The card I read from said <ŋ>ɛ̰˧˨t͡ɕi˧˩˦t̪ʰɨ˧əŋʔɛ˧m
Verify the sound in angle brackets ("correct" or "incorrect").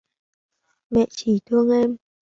incorrect